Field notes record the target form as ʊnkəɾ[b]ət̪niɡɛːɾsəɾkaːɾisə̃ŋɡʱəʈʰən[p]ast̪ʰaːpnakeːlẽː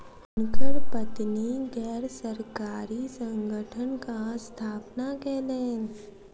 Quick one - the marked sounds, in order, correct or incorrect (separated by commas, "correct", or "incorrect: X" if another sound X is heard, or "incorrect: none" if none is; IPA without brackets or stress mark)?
incorrect: p, incorrect: k